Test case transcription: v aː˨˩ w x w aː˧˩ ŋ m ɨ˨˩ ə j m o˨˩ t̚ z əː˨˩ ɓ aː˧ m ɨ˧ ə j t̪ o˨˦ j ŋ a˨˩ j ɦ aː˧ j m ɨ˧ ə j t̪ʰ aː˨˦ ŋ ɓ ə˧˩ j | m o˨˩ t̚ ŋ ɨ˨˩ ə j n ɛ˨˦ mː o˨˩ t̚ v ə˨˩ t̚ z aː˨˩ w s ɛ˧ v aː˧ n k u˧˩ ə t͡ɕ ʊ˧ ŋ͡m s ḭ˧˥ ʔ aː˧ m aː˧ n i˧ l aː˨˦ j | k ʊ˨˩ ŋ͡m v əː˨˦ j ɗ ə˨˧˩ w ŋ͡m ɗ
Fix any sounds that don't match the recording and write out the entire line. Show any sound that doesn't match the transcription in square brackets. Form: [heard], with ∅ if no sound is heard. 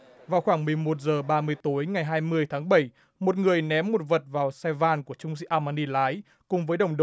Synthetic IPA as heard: v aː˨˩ w x w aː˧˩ ŋ m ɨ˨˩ ə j m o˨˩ t̚ z əː˨˩ ɓ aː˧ m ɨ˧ ə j t̪ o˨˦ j ŋ a˨˩ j ɦ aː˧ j m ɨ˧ ə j t̪ʰ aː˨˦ ŋ ɓ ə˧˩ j | m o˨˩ t̚ ŋ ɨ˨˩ ə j n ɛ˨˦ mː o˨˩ t̚ v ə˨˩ t̚ [v] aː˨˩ w s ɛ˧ v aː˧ n k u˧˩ ə t͡ɕ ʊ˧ ŋ͡m s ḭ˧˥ ʔ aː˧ m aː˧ n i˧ l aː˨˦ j | k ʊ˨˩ ŋ͡m v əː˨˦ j ɗ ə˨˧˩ w ŋ͡m ɗ